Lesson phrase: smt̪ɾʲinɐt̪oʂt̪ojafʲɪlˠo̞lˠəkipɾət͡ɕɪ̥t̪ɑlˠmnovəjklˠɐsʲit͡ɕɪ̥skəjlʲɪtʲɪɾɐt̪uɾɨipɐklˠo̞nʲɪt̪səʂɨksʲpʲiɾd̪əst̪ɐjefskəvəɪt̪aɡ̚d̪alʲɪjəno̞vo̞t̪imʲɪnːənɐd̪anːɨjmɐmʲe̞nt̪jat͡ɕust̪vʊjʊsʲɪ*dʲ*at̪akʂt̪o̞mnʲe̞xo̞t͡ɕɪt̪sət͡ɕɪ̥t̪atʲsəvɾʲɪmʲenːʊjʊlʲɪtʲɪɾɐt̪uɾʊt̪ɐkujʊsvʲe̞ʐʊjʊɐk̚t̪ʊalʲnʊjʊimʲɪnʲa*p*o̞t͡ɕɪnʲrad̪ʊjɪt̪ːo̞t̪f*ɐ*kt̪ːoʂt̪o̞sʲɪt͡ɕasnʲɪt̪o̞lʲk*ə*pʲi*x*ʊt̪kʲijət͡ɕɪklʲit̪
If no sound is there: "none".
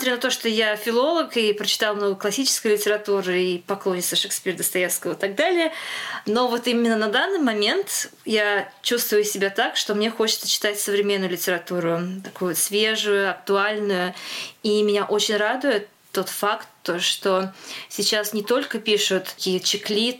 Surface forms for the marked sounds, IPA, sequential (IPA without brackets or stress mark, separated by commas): bʲ, ʔ, a, ə, ʂ